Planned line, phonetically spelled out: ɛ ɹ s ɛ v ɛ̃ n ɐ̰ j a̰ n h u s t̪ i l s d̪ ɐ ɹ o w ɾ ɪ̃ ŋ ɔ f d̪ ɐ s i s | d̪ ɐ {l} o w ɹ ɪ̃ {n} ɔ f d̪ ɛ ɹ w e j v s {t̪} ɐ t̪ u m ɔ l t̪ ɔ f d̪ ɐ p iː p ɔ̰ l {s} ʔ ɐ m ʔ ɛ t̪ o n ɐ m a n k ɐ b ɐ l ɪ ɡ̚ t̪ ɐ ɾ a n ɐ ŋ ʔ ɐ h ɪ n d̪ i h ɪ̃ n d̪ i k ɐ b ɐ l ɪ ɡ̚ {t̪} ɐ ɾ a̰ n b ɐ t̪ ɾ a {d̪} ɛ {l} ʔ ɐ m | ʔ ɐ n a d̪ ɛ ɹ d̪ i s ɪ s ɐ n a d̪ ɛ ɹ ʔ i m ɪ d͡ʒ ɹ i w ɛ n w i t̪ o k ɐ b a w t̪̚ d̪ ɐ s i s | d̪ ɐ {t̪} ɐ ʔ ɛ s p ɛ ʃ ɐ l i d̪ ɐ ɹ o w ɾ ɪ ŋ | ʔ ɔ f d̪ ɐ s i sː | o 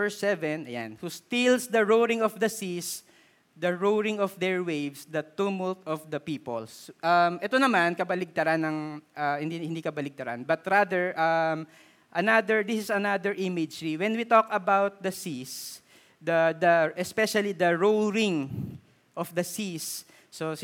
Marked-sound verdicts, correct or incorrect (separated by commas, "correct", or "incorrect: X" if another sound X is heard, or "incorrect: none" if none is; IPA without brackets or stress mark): incorrect: ɹ, incorrect: ŋ, incorrect: d̪, correct, correct, correct, incorrect: ɹ, incorrect: d̪